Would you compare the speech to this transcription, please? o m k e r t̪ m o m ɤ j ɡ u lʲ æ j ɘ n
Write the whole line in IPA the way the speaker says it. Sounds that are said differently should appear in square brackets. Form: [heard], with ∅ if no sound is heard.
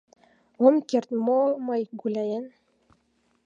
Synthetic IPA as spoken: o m k e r t̪ m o m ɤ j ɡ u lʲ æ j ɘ n